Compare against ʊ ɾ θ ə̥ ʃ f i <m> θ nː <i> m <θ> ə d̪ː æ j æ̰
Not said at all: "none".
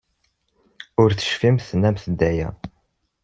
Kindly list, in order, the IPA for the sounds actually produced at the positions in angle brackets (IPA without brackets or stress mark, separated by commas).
m, æ, θ